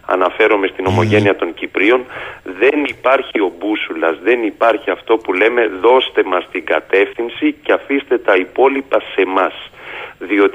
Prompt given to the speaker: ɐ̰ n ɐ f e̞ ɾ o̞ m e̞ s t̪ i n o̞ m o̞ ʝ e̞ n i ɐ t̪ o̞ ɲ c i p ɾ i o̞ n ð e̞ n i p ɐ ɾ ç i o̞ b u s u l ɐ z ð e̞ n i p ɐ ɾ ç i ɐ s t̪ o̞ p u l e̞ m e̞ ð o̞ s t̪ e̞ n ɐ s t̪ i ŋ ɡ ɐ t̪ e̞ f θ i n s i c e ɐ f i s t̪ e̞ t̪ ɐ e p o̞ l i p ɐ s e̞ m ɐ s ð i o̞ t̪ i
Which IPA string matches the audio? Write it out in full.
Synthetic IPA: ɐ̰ n ɐ f e̞ ɾ o̞ m e̞ s t̪ i n o̞ m o̞ ʝ e̞ n i ɐ t̪ o̞ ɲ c i p ɾ i o̞ n ð e̞ n i p ɐ ɾ ç i o̞ b u s u l ɐ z ð e̞ n i p ɐ ɾ ç i ɐ f t̪ o̞ p u l e̞ m e̞ ð o̞ s t̪ e̞ m ɐ s t̪ i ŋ ɡ ɐ t̪ e̞ f θ i n s i c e ɐ f i s t̪ e̞ t̪ ɐ i p o̞ l i p ɐ s e̞ m ɐ s ð i o̞ t̪ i